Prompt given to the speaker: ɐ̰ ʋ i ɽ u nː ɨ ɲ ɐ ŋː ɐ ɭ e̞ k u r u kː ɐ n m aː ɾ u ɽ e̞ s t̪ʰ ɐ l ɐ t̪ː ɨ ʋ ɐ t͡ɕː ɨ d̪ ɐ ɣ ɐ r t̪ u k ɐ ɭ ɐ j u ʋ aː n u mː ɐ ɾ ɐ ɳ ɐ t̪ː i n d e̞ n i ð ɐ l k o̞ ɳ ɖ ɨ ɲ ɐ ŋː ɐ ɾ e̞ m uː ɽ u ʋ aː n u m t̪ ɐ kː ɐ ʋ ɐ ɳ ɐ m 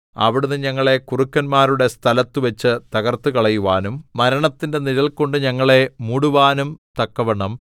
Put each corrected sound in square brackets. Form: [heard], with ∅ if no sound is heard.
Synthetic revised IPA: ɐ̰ ʋ i ɽ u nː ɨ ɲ ɐ ŋː ɐ ɭ e̞ k u r u kː ɐ n m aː ɾ u ɽ e̞ s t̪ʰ ɐ l ɐ t̪ː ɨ ʋ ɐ t͡ɕː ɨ [t̪] ɐ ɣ ɐ r t̪ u k ɐ ɭ ɐ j u ʋ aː n u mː ɐ ɾ ɐ ɳ ɐ t̪ː i n d e̞ n i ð ɐ l k o̞ ɳ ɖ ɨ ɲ ɐ ŋː ɐ [ɭ] e̞ m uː ɽ u ʋ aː n u m t̪ ɐ kː ɐ ʋ ɐ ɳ ɐ m